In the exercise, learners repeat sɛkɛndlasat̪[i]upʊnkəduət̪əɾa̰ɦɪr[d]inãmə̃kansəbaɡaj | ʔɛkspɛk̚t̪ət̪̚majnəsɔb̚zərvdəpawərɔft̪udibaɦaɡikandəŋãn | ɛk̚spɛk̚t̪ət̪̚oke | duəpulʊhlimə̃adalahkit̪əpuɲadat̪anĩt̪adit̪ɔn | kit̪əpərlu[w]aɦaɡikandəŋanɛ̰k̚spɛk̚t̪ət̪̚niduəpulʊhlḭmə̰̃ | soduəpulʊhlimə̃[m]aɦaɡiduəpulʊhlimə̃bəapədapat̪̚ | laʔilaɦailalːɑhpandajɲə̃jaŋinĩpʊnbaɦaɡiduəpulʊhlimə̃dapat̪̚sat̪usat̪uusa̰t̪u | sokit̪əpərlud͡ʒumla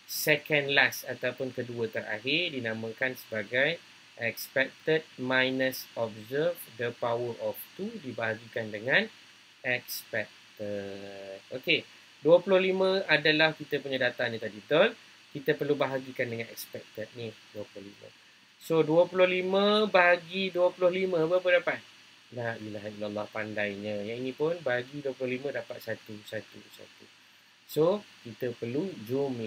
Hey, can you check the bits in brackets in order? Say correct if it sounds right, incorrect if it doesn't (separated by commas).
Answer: incorrect, correct, incorrect, incorrect